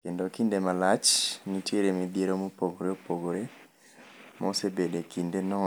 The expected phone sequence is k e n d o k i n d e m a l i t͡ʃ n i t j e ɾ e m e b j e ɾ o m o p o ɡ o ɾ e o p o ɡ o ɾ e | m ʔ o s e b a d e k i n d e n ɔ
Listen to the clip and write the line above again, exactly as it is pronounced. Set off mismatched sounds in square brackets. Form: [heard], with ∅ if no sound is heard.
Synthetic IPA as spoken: k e n d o k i n d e m a l [a] t͡ʃ n i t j e ɾ e m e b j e ɾ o m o p o ɡ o ɾ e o p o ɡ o ɾ e | m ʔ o s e b [e] d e k i n d e n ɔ